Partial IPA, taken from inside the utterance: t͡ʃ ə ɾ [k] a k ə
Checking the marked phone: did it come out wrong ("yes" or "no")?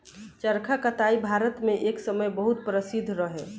yes